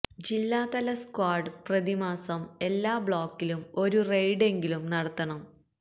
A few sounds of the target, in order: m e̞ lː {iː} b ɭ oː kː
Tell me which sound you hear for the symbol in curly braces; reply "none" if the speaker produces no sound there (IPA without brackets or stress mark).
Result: aː